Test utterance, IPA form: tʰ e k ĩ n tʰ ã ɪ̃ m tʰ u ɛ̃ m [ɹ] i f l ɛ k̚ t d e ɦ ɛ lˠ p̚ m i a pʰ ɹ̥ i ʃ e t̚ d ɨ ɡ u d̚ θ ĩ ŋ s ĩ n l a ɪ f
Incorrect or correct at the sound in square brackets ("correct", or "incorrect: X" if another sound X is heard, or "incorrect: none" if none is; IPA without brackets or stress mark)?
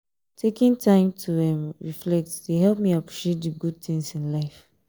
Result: correct